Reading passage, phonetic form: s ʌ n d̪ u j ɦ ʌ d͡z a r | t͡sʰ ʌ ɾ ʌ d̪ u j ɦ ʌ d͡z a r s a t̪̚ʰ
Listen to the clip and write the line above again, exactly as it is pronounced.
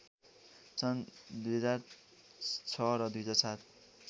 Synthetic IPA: s ʌ n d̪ u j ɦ ʌ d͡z a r | t͡sʰ ʌ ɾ ʌ d̪ u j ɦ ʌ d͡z a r s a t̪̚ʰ